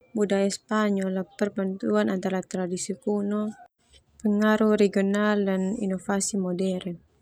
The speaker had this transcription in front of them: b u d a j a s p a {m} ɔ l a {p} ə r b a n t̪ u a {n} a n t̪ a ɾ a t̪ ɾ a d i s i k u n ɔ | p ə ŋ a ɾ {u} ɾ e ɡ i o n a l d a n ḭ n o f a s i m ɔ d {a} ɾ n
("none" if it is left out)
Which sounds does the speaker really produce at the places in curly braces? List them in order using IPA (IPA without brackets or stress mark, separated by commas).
ɲ, p, n, u, ɛ